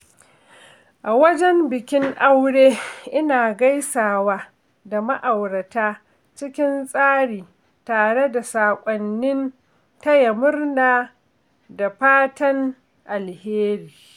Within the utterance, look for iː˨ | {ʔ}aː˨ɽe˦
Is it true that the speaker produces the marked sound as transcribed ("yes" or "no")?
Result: no